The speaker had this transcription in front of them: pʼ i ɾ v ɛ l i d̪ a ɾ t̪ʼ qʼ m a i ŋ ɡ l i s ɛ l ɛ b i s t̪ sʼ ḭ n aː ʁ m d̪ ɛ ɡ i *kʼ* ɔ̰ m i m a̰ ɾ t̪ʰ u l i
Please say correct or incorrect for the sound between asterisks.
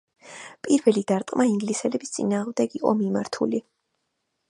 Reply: incorrect